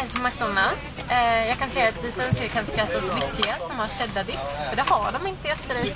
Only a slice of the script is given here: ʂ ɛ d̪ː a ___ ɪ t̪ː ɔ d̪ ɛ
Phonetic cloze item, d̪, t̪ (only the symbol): d̪